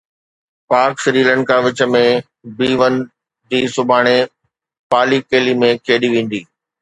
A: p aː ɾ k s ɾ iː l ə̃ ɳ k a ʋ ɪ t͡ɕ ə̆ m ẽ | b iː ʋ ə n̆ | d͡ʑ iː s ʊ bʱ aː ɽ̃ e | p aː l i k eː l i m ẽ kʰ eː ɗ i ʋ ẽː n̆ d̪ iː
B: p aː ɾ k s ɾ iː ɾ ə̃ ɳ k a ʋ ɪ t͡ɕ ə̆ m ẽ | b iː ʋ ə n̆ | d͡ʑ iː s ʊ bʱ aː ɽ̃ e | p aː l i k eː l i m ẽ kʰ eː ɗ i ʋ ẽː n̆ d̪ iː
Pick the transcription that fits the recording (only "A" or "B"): A